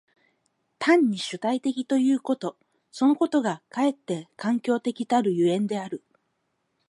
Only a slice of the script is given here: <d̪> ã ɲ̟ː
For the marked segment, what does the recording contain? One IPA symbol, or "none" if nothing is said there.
t̪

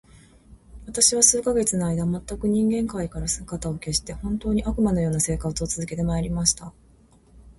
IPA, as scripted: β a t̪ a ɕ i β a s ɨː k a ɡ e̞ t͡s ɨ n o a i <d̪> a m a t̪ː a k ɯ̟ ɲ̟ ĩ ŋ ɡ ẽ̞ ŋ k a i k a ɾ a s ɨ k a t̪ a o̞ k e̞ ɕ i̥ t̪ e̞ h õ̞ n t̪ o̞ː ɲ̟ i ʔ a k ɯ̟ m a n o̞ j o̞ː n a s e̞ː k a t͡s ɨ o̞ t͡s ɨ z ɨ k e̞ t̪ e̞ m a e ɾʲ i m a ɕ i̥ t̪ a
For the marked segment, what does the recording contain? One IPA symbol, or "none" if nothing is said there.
d̪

